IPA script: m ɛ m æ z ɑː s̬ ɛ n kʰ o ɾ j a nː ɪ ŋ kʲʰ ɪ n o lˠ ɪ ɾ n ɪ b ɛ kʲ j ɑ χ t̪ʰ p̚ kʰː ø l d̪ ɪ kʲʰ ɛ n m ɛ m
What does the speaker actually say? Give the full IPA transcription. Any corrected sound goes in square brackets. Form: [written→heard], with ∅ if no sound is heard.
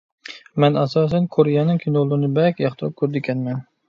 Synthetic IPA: m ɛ [m→n] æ [z→s] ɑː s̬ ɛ n kʰ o ɾ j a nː ɪ ŋ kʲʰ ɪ n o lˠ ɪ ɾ n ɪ b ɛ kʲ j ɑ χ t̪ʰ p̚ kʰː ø [l→ɾ] d̪ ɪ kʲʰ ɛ n m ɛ [m→n]